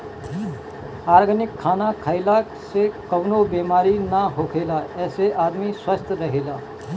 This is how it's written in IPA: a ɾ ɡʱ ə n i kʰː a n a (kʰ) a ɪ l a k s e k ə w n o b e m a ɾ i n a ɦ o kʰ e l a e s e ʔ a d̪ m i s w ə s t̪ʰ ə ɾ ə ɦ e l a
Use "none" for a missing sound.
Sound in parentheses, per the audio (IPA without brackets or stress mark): kʰ